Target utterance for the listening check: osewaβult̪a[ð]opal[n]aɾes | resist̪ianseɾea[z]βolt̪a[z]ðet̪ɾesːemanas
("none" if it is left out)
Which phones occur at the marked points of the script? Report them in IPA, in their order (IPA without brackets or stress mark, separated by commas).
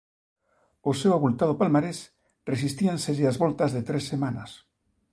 ð, m, z, z